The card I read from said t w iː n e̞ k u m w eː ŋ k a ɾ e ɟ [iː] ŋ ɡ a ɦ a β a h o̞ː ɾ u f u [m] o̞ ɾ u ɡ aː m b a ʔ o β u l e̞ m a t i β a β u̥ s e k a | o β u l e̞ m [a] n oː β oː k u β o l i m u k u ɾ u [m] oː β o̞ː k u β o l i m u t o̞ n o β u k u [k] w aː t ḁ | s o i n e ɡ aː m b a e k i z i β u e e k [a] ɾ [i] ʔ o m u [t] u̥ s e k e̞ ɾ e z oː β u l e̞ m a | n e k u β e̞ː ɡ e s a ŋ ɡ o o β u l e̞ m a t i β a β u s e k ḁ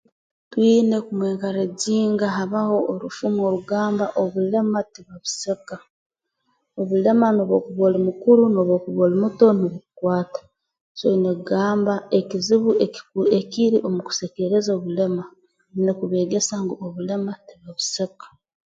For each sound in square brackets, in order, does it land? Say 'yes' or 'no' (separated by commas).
yes, yes, yes, no, yes, no, yes, no